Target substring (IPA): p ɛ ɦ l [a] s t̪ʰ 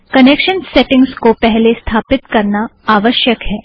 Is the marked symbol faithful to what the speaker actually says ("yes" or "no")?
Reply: no